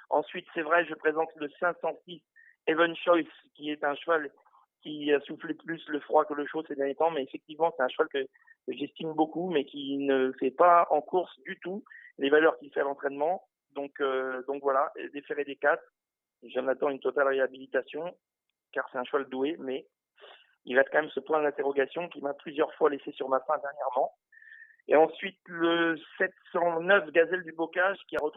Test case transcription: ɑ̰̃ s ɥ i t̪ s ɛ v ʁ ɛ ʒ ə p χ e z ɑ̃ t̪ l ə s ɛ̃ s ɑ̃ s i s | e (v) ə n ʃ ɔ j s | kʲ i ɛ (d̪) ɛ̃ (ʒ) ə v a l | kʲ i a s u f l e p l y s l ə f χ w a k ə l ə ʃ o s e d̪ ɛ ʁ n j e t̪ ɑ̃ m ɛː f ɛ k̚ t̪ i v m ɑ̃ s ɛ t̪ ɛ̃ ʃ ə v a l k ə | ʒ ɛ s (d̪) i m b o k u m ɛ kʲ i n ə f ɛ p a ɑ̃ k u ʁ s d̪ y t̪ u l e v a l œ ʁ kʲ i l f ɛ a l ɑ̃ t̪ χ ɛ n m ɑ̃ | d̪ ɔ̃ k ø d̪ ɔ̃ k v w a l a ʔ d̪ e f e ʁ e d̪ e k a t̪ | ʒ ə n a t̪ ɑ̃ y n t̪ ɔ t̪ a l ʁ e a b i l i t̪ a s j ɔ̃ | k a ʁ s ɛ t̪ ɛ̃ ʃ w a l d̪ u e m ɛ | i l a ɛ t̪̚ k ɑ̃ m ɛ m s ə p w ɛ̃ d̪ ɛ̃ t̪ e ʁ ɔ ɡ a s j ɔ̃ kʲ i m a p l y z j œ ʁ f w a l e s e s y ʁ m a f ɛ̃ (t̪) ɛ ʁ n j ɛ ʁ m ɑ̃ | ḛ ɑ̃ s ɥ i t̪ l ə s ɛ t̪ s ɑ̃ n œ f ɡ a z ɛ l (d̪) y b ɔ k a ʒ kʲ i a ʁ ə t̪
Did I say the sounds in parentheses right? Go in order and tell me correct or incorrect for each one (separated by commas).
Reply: correct, incorrect, incorrect, incorrect, incorrect, correct